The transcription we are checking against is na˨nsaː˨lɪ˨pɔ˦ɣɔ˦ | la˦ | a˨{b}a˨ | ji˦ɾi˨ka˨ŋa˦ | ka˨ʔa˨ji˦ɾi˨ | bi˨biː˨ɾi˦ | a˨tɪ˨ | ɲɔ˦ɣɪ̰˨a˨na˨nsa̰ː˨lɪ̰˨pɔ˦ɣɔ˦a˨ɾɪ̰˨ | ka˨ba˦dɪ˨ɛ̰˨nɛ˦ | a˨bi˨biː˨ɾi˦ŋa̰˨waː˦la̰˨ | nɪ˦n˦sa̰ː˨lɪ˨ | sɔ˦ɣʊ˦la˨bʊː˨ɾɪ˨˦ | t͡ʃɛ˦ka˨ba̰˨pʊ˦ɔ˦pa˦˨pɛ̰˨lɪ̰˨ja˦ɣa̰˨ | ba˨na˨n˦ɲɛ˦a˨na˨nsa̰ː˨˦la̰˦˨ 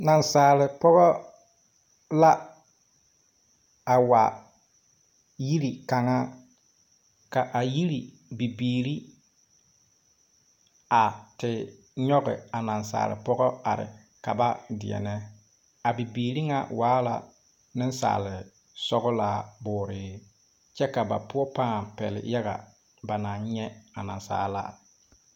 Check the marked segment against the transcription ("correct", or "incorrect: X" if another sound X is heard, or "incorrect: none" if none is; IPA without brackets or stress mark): incorrect: w